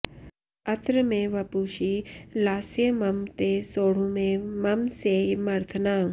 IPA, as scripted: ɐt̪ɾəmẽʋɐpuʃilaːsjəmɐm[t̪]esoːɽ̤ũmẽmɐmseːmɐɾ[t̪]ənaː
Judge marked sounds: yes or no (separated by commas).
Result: yes, no